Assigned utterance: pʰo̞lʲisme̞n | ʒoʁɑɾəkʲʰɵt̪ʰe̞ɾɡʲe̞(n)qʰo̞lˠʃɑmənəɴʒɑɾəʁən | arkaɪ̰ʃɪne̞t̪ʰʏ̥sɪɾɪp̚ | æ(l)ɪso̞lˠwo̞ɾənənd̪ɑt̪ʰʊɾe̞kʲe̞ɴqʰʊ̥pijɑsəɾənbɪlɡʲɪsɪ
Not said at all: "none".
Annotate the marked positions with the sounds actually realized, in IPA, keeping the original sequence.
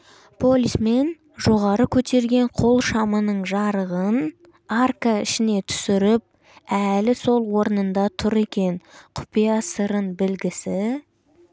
ɴ, l

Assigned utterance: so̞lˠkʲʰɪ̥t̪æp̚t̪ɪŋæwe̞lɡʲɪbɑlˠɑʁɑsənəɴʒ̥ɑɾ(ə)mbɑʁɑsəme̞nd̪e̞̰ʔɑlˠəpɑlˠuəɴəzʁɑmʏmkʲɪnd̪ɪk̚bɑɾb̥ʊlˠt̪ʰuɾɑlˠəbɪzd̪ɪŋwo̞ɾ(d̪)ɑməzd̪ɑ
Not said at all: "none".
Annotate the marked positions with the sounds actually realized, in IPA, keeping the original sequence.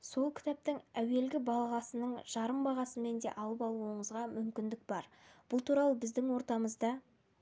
ə, t̪

